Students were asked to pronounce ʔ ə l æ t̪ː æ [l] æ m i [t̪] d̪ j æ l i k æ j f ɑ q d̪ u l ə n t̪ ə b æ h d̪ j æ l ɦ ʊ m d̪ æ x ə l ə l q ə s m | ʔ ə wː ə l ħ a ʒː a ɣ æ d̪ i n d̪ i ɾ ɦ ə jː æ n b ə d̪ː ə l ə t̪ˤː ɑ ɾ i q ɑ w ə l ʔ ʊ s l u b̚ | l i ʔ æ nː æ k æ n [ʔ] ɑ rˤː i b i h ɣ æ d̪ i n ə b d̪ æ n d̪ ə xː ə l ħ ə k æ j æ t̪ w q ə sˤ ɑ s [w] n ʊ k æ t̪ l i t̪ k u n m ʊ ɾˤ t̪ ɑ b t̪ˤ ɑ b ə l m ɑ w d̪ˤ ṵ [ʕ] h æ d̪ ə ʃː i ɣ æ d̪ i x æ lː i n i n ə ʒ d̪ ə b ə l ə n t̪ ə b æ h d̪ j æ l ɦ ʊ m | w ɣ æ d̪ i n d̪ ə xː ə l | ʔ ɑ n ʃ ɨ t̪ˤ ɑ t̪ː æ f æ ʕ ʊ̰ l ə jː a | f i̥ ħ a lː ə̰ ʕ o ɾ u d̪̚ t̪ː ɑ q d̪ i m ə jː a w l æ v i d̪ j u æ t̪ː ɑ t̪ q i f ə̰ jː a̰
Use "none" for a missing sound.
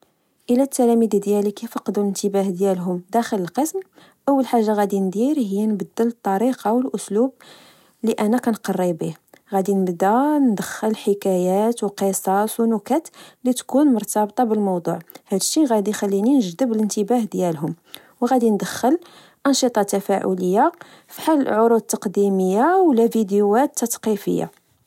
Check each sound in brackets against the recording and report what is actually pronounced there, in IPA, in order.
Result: l, d̪, q, w, ʕ

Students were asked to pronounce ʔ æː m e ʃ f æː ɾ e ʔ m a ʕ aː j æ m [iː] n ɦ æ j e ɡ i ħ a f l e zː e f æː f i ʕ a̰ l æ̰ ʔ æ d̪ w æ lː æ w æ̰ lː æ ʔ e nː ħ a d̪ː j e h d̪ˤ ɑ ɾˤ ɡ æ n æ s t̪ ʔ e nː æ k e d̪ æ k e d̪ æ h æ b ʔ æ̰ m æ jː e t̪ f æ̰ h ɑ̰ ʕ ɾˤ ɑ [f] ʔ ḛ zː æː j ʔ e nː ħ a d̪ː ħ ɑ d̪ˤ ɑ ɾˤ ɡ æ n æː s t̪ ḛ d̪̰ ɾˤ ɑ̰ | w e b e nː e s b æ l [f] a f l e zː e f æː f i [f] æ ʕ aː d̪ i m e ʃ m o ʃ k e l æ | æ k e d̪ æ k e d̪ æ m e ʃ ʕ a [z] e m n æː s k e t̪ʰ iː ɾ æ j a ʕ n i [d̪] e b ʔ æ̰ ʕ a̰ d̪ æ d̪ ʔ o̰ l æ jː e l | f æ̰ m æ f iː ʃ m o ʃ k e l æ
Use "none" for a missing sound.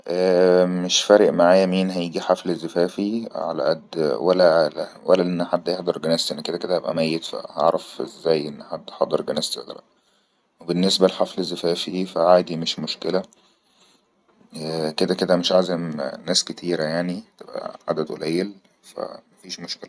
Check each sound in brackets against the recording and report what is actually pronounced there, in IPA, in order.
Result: iː, f, ħ, f, z, t̪

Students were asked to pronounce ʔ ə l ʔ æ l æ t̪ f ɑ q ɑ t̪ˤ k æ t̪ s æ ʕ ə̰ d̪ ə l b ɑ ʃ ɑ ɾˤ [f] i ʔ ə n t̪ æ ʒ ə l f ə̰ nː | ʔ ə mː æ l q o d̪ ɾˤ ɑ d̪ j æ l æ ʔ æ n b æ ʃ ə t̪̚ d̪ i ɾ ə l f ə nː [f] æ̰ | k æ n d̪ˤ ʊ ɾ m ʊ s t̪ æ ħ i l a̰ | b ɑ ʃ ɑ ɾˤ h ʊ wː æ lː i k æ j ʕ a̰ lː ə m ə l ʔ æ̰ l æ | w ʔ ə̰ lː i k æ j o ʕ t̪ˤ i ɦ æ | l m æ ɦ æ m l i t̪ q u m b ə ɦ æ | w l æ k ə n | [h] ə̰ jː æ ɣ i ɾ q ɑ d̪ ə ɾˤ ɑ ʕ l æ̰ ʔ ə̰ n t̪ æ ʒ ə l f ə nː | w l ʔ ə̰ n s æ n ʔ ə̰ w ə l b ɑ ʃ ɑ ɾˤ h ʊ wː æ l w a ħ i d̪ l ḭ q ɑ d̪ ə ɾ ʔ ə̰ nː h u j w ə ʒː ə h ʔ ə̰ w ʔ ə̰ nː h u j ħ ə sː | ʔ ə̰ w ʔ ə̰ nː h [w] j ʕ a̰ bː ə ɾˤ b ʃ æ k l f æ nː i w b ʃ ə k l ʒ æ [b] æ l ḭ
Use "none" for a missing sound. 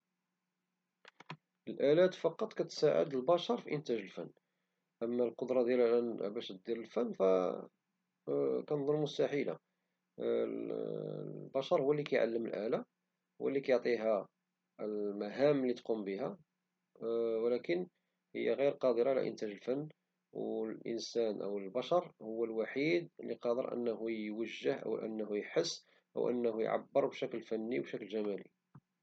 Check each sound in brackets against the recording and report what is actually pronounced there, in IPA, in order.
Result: f, f, h, u, m

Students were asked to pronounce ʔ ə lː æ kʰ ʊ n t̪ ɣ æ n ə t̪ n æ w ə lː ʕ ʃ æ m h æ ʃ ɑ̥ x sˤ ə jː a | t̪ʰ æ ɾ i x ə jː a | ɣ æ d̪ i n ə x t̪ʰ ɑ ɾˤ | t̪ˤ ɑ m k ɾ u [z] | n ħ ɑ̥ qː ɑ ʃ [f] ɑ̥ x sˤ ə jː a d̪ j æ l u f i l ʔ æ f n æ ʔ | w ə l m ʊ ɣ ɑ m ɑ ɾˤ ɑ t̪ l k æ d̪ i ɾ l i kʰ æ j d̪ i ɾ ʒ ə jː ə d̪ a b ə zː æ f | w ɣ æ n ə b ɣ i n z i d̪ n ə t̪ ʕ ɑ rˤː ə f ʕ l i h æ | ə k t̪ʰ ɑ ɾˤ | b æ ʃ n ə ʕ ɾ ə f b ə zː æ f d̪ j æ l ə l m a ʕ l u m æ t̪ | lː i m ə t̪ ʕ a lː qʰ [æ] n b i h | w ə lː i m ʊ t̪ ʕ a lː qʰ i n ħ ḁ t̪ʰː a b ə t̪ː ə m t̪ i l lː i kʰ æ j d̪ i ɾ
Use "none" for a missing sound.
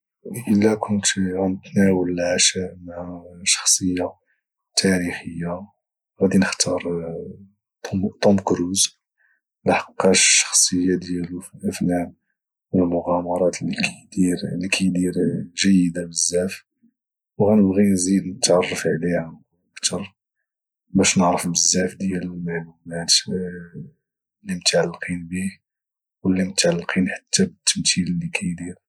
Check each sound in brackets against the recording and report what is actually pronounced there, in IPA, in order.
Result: z, ʃ, i

